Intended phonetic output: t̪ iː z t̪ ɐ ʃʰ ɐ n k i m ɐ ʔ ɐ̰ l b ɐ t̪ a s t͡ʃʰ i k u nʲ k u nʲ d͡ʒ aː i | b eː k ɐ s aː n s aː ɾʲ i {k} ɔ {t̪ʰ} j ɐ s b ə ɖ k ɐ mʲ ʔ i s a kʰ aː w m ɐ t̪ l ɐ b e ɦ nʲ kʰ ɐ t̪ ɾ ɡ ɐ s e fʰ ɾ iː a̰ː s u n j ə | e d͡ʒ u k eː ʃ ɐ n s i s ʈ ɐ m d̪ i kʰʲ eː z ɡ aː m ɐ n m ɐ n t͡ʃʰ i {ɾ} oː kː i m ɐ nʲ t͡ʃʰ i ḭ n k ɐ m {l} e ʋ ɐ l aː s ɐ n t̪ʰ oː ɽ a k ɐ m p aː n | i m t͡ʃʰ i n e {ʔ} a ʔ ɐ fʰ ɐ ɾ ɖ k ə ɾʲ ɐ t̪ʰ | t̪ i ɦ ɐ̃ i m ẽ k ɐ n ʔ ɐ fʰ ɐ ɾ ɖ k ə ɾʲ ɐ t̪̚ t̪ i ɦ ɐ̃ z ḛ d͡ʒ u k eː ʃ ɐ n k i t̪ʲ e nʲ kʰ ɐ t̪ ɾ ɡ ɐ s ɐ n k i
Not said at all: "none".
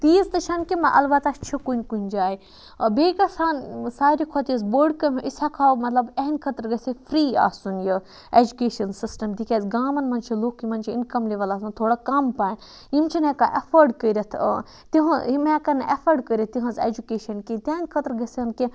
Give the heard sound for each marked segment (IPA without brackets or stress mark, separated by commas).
kʰ, t̪, l, l, k